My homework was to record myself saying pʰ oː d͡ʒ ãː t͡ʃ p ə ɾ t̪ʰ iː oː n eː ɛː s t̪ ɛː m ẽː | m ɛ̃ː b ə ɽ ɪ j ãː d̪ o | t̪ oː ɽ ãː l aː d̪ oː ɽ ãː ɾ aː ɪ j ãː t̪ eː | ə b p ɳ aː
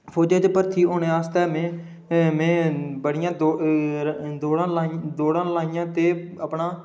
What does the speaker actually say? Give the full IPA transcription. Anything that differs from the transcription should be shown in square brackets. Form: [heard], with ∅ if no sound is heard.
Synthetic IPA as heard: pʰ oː d͡ʒ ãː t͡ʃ p ə ɾ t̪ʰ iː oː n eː [aː] s t̪ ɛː m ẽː | m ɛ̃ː b ə ɽ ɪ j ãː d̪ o | [d̪] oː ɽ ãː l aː d̪ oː ɽ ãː [l] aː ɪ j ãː t̪ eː | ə [∅] p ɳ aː

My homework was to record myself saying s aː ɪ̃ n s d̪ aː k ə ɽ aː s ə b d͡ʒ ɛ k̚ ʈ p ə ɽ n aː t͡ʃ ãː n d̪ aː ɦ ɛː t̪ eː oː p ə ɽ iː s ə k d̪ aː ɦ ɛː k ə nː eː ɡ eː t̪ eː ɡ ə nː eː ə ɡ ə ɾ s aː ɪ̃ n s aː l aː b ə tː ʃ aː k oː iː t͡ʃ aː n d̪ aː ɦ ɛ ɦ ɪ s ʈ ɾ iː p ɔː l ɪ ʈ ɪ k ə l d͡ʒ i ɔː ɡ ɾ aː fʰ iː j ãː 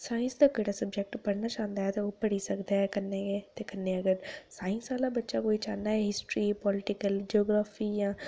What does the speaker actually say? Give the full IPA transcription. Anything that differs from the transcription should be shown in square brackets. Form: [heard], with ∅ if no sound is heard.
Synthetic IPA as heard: s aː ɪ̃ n s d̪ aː k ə ɽ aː s ə b d͡ʒ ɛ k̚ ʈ p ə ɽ n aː t͡ʃ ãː n d̪ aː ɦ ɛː t̪ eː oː p ə ɽ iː s ə k d̪ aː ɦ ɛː k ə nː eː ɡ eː t̪ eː [k] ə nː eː ə ɡ ə ɾ s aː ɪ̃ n s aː l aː b ə tː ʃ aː k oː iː t͡ʃ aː n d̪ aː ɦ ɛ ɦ ɪ s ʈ ɾ iː p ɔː l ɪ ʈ ɪ k ə l d͡ʒ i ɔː ɡ ɾ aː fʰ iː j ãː

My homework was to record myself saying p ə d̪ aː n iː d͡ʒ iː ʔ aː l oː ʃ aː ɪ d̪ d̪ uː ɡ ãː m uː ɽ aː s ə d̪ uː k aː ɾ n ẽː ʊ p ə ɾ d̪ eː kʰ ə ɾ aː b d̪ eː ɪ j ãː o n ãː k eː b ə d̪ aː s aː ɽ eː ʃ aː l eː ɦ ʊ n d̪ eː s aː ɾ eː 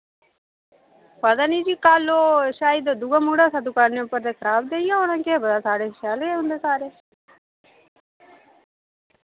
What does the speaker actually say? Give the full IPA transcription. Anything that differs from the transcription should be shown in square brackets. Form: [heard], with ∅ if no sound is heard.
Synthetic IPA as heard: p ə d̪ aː n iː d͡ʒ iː [k] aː l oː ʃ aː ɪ d̪ d̪ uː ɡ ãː m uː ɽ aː s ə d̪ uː k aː ɾ n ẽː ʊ p ə ɾ d̪ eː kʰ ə ɾ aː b d̪ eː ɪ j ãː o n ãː k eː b ə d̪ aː s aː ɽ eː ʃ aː l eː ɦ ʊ n d̪ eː s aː ɾ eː

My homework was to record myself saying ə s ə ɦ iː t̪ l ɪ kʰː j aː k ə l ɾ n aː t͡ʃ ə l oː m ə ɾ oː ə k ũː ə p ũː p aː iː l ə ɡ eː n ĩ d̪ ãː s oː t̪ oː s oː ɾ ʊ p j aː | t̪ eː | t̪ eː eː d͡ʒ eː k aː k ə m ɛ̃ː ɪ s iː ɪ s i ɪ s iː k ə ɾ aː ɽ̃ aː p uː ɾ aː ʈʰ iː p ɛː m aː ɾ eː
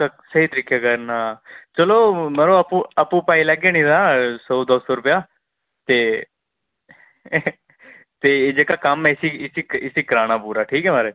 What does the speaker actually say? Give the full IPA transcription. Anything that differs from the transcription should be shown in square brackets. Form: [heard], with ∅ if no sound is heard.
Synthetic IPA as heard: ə s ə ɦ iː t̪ [ɾ] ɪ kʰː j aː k ə [∅] ɾ n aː t͡ʃ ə l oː m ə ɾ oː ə [p] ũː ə p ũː p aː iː l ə ɡ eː n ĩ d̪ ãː s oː [d̪] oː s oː ɾ ʊ p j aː | t̪ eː | t̪ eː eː d͡ʒ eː k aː k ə m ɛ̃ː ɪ s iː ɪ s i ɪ s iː k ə ɾ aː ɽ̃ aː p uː ɾ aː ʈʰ iː [k] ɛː m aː ɾ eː

